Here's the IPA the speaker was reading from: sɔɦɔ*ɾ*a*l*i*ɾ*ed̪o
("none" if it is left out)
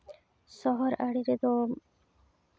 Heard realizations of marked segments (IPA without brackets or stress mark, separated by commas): ɾ, ɽ, ɾ